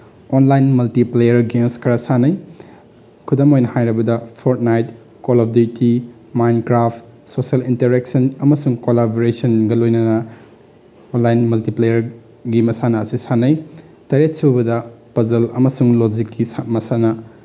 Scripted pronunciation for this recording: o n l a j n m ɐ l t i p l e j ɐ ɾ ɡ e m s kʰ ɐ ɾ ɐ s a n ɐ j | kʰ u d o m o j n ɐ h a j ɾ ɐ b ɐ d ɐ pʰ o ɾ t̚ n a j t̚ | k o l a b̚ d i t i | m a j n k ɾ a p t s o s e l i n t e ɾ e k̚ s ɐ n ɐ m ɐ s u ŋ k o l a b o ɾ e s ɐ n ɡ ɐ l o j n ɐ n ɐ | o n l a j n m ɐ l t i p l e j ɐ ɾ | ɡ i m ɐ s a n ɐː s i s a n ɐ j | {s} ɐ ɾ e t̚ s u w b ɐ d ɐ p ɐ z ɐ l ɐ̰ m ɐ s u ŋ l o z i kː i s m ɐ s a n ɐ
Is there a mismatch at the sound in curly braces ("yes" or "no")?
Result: yes